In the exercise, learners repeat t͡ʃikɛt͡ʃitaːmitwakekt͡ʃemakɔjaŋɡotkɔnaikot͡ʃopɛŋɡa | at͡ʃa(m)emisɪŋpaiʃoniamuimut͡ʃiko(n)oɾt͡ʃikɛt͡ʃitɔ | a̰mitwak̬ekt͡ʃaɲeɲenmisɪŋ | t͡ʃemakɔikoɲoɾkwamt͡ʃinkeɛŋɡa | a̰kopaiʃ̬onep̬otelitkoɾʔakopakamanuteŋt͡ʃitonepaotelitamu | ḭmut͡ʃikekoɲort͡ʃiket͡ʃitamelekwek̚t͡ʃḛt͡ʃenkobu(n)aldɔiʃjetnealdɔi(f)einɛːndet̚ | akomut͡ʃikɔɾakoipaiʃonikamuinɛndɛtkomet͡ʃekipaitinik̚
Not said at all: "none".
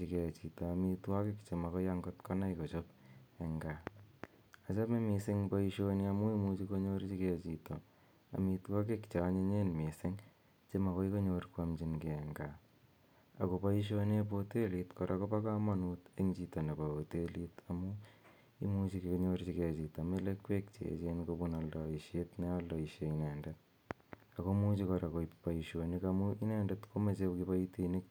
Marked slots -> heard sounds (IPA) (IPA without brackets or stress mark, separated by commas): m, ɲ, n, ʃ